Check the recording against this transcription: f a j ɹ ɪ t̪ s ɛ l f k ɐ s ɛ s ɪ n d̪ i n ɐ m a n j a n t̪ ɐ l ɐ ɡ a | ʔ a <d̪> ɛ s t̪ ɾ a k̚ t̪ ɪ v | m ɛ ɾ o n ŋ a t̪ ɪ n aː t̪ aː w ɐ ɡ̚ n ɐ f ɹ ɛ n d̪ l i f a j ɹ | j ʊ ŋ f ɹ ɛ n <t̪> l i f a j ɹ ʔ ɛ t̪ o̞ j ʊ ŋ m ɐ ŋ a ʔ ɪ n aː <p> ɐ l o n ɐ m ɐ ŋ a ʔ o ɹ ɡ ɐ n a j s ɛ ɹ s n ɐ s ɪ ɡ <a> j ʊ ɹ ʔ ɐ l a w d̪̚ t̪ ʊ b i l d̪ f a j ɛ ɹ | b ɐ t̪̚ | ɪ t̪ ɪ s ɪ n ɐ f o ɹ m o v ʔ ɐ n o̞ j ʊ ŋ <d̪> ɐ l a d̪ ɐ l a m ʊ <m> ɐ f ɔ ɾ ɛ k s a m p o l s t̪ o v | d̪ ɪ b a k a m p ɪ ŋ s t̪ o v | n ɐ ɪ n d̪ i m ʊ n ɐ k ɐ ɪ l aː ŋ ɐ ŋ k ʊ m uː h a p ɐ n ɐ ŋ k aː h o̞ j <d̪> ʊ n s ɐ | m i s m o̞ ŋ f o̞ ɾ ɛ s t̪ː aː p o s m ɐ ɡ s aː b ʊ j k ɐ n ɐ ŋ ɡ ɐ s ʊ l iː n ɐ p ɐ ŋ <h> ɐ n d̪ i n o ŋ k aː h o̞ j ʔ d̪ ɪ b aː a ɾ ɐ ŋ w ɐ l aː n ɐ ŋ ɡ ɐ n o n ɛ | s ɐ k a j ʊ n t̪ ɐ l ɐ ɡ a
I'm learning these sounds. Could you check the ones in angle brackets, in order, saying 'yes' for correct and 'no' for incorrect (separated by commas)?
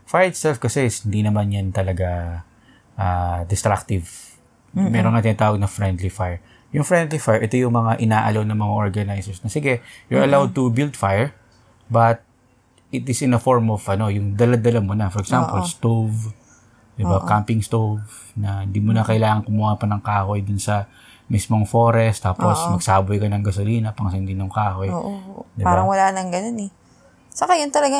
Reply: yes, no, no, no, yes, no, yes, no